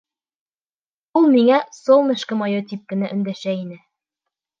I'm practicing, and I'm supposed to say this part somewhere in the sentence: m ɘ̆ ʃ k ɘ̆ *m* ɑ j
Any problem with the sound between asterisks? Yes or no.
no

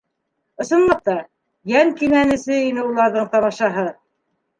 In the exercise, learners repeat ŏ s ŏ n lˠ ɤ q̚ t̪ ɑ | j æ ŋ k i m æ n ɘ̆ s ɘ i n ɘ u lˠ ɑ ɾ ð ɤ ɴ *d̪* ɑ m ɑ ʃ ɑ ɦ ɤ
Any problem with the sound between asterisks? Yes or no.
yes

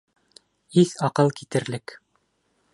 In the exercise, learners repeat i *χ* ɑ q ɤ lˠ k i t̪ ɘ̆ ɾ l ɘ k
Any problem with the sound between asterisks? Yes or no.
yes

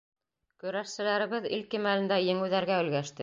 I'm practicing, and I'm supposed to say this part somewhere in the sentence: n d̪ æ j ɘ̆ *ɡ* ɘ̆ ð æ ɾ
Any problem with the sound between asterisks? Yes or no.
yes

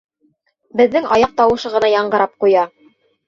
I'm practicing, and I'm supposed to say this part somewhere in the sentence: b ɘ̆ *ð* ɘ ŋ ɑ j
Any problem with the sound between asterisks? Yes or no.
yes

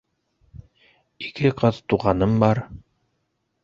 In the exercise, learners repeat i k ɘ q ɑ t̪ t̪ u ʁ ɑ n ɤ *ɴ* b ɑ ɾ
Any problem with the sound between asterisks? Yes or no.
yes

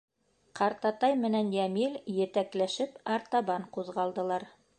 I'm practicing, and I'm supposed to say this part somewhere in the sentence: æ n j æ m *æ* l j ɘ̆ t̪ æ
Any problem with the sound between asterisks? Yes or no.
yes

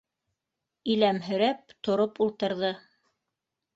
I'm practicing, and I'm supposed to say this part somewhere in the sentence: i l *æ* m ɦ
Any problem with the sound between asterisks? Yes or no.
no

